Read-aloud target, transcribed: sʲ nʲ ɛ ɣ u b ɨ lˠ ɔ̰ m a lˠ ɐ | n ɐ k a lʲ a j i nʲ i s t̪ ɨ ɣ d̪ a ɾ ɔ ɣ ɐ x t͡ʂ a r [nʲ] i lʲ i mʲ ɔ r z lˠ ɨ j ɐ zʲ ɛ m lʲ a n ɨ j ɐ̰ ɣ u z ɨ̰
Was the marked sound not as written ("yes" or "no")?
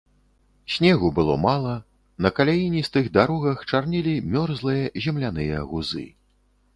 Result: no